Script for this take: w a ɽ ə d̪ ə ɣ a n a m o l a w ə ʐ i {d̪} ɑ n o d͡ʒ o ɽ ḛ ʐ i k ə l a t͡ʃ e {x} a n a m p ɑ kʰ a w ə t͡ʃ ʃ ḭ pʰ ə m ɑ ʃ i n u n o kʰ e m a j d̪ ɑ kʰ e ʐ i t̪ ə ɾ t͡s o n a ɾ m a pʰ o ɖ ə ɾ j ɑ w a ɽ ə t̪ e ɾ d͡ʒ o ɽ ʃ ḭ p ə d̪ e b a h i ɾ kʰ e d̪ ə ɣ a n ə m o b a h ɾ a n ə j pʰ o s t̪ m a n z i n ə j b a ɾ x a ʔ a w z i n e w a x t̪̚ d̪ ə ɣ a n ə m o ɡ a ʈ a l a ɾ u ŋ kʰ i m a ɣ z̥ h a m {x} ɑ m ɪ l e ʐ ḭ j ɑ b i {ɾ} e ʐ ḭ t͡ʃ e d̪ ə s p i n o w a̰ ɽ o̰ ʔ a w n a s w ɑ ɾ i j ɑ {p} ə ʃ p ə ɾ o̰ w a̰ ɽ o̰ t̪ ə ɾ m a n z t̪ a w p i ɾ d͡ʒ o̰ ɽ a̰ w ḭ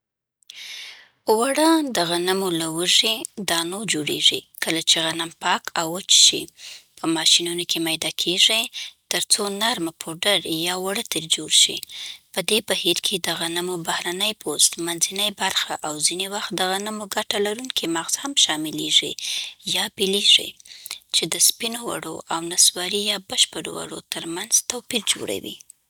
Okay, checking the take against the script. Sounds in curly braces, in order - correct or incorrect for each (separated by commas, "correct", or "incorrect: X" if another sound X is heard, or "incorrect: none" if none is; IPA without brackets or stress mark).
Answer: correct, incorrect: ɣ, incorrect: ʃ, incorrect: l, incorrect: b